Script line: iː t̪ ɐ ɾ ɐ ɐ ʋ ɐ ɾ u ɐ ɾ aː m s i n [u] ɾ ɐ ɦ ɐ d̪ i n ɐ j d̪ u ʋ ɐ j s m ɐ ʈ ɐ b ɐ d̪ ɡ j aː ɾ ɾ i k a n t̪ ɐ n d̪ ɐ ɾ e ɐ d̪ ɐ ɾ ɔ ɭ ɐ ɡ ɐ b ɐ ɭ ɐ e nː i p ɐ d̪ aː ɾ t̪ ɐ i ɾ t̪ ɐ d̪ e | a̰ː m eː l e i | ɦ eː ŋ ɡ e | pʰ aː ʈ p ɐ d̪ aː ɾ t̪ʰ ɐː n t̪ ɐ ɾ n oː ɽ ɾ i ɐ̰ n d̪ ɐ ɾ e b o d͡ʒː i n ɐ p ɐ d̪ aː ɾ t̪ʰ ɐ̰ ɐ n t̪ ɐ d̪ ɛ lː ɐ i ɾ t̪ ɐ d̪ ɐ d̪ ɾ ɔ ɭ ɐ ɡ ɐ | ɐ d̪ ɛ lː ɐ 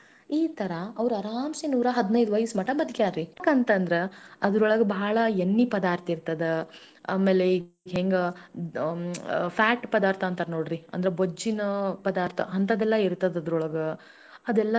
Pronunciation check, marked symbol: incorrect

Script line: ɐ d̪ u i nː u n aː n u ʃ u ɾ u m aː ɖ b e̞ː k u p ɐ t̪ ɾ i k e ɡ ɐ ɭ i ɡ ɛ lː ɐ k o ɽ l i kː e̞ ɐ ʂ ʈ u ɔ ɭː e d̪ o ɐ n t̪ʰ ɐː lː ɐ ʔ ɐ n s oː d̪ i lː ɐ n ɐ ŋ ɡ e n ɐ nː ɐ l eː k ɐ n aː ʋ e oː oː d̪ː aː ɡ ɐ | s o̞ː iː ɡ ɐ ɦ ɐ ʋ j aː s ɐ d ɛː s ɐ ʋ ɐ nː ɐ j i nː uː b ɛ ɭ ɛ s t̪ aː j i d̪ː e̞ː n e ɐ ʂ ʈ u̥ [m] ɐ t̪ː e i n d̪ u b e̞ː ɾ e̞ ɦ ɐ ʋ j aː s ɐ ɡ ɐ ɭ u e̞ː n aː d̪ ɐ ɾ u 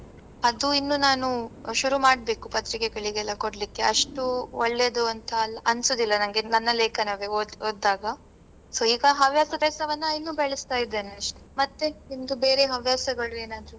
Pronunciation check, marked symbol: correct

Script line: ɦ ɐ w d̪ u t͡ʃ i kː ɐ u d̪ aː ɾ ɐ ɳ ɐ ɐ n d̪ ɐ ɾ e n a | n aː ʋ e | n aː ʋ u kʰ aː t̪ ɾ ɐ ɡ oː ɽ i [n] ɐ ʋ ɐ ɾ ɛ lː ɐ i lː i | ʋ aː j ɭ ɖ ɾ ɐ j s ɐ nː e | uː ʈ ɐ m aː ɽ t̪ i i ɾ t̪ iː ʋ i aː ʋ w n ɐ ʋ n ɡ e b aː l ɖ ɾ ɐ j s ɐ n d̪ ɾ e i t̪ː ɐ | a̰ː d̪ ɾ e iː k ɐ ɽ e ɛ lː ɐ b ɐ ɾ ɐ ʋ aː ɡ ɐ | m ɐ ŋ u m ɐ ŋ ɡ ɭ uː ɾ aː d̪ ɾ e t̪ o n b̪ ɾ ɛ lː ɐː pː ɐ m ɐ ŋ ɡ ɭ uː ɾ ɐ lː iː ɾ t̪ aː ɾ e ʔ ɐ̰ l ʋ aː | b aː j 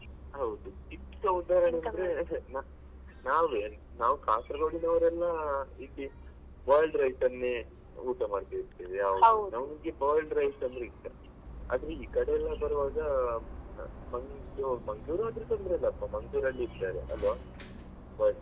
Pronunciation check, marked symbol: correct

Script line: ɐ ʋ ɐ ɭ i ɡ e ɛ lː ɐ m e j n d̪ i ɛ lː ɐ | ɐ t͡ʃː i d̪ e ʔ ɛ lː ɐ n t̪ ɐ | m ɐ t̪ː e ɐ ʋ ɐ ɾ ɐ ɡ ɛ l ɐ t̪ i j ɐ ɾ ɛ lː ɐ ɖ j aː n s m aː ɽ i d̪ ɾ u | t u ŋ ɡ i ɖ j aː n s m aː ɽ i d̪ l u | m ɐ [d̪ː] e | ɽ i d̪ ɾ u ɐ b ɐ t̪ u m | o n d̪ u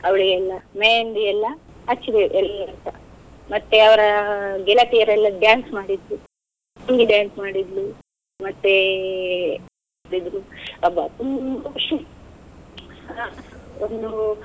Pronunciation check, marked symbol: incorrect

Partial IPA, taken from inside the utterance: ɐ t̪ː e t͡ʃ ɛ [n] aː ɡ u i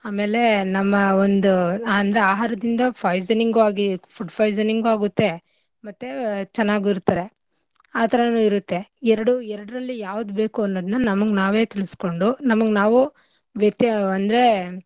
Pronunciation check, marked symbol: incorrect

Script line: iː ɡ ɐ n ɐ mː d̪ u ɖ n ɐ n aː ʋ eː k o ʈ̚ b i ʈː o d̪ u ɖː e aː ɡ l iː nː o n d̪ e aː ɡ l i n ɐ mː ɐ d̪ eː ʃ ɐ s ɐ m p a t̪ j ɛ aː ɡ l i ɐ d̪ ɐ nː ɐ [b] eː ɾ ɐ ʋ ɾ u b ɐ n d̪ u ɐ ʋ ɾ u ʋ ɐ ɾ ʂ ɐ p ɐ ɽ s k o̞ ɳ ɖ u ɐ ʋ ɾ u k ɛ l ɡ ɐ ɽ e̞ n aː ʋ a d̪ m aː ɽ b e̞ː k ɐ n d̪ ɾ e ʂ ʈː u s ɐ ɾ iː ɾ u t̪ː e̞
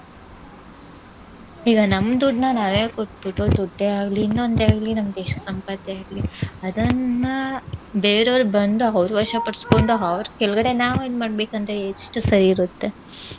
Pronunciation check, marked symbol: correct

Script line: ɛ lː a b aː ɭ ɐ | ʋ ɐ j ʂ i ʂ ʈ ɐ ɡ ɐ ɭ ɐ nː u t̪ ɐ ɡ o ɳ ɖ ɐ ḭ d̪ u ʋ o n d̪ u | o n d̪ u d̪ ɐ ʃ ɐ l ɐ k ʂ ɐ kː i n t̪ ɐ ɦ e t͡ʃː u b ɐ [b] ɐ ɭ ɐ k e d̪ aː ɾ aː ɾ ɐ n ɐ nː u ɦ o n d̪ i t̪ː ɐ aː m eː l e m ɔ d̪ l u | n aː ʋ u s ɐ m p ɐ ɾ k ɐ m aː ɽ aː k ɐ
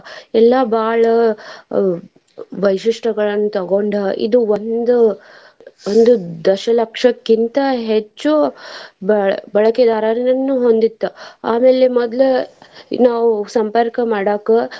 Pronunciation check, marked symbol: correct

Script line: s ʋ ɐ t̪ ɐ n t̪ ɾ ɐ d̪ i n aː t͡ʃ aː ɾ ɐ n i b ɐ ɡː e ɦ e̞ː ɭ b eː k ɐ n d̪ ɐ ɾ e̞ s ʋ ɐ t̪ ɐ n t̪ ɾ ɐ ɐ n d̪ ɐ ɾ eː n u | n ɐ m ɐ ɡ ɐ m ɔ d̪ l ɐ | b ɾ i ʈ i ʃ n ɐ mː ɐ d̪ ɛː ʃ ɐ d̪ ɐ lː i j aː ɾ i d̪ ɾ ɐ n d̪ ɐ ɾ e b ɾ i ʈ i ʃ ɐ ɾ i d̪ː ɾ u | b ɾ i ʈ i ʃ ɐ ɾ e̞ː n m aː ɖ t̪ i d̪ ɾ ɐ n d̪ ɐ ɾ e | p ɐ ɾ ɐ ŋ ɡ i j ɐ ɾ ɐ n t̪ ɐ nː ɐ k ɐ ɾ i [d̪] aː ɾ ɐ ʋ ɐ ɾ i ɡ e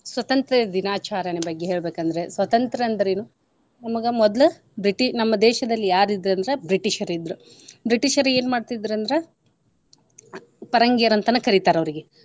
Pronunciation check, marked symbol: incorrect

